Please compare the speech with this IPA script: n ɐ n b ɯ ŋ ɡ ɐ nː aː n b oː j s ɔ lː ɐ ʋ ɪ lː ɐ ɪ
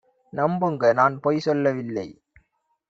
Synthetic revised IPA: n ɐ m b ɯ ŋ ɡ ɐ n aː n p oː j s ɔ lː ɐ ʋ ɪ lː ɐ ɪ